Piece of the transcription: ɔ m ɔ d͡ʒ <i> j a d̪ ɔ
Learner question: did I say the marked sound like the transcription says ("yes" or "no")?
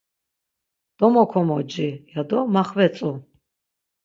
yes